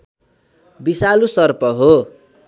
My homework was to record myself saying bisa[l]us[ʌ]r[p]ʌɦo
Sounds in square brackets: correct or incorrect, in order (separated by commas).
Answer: correct, correct, correct